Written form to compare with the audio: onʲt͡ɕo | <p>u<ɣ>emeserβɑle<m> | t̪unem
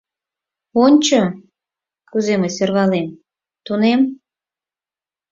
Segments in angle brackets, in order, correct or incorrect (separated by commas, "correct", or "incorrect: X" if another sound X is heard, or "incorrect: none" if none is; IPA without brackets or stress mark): incorrect: k, incorrect: z, correct